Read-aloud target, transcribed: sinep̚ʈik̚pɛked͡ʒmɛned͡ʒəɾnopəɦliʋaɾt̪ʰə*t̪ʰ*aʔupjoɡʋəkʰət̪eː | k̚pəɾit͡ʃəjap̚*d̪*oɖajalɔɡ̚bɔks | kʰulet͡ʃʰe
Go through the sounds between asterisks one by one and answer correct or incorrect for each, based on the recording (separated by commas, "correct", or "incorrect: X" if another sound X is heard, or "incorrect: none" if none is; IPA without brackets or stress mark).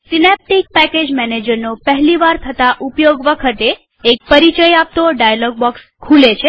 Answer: incorrect: t̪, incorrect: t̪